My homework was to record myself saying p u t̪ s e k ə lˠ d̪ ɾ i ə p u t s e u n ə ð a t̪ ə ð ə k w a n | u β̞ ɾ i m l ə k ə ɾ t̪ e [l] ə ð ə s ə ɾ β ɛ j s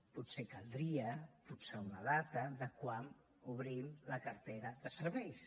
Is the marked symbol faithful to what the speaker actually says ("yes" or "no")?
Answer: no